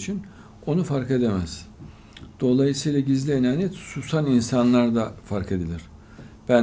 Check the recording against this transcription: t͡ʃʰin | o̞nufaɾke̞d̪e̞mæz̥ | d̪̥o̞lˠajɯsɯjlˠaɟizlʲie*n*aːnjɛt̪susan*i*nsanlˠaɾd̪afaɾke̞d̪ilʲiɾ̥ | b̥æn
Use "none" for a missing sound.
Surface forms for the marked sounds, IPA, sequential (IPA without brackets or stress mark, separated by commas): n, i